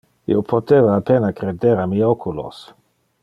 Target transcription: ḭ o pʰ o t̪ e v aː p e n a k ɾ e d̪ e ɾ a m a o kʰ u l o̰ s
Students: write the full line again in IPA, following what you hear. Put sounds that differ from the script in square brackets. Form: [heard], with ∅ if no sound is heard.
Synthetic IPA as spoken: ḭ o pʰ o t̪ e v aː p e n a k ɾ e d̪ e ɾ a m [i] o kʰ u l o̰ s